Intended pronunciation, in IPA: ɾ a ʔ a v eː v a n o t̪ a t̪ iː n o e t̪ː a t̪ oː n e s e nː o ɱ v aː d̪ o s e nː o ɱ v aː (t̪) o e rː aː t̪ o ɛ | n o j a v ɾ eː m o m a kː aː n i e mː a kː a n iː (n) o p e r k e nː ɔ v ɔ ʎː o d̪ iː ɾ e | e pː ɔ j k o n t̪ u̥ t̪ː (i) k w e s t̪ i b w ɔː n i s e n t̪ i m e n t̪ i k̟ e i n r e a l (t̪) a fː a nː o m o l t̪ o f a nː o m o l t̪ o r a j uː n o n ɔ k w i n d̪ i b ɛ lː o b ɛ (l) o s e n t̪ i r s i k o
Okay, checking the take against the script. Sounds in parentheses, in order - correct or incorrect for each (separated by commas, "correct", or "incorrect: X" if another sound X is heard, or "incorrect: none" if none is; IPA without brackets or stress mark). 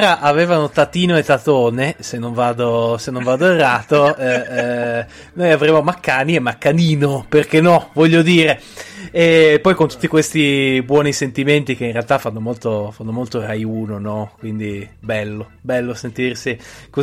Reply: incorrect: d̪, correct, correct, correct, incorrect: lː